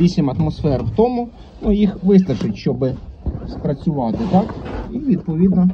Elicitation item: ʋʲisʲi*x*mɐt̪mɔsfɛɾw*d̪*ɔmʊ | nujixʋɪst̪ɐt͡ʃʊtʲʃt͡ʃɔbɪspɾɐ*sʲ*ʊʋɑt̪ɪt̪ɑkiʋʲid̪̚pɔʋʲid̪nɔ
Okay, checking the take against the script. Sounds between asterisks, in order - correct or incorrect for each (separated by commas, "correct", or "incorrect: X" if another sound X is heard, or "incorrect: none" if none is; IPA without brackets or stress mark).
incorrect: none, incorrect: t̪, incorrect: t͡sʲ